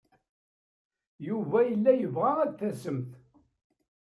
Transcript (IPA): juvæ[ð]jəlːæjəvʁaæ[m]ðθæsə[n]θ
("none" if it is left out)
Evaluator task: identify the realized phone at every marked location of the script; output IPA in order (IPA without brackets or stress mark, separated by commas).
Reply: none, none, m